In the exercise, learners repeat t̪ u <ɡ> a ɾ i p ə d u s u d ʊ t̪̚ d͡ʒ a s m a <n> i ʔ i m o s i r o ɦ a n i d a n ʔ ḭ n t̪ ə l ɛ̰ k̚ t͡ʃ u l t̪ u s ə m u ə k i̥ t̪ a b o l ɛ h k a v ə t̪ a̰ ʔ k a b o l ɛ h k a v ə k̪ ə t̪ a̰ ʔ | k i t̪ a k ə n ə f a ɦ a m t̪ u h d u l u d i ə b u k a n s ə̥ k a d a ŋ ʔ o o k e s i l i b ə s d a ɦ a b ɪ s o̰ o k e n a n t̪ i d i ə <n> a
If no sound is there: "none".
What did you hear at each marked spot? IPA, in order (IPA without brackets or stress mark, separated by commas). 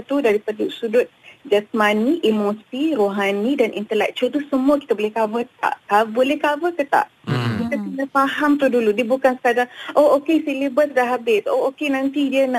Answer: d, n, n